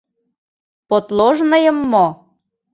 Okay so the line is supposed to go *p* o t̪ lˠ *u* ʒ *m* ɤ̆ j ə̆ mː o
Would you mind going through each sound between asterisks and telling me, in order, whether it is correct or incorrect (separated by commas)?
correct, incorrect, incorrect